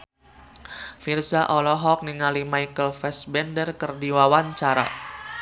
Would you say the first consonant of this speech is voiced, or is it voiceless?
voiceless